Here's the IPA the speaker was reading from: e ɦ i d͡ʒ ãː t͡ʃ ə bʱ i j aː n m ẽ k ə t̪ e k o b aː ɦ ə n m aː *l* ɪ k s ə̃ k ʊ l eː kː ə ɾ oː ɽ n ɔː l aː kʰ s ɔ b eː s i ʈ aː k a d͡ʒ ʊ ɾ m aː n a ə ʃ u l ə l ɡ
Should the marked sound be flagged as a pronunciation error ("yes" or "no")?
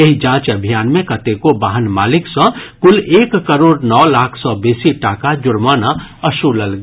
no